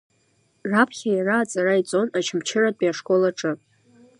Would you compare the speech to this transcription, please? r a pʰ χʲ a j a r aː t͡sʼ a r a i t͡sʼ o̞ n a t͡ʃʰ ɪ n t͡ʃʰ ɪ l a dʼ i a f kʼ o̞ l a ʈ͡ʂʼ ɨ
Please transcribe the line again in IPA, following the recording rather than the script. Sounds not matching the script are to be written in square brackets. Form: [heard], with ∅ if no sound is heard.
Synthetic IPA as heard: r a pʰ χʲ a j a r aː t͡sʼ a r a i t͡sʼ o̞ n a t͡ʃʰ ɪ [m] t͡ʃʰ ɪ [r] a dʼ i a [ʂ] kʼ o̞ l a ʈ͡ʂʼ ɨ